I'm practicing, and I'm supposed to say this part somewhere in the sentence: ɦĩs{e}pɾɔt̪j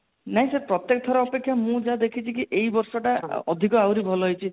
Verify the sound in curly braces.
correct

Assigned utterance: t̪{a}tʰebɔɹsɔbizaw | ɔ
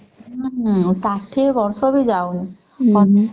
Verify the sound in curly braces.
correct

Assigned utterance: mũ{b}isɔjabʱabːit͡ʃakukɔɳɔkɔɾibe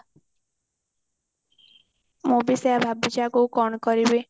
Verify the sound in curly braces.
correct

